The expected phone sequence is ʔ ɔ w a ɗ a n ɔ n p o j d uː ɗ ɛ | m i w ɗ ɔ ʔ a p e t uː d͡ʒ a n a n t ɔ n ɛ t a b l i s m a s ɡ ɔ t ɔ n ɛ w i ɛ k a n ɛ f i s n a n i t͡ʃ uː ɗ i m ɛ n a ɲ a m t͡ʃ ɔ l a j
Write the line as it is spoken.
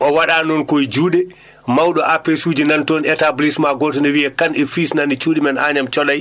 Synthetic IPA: ʔ ɔ w a ɗ a n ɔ n k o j d͡ʒ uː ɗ ɛ | m a w ɗ ɔ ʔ a p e s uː d͡ʒ i n a n t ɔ n ɛ t a b l i s m a ɡ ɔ t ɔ n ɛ w i ɛ k a n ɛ f i s n a n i t͡ʃ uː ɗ i m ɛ n a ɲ a m t͡ʃ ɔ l a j